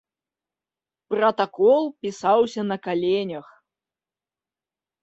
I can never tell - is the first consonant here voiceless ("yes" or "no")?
yes